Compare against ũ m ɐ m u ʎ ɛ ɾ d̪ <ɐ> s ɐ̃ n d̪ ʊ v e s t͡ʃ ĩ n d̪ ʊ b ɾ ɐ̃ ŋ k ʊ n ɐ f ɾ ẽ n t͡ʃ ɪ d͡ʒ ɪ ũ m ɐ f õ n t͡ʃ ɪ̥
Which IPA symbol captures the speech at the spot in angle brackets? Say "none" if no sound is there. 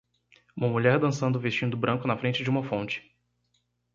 ɐ̃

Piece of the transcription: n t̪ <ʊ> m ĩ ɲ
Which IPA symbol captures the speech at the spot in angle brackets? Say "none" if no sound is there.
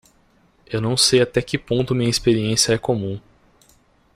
ʊ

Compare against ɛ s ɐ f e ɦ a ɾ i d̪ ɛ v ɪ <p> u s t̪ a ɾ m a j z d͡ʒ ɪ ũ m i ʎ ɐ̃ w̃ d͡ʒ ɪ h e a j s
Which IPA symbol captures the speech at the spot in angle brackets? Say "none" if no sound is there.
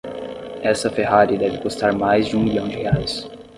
k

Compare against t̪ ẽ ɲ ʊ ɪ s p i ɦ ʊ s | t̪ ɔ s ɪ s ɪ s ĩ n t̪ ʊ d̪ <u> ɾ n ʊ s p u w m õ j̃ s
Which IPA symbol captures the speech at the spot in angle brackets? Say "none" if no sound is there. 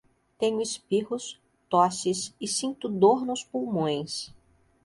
o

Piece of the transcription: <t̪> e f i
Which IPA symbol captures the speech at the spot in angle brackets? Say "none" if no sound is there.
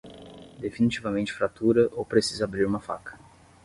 d̪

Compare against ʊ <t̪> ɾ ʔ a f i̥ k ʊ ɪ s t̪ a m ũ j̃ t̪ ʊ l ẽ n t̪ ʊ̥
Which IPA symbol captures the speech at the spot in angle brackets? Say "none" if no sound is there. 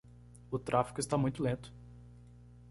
t̪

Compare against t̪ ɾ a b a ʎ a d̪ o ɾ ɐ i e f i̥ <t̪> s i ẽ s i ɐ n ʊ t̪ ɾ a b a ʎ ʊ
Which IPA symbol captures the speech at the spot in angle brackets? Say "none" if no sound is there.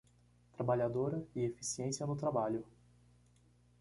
none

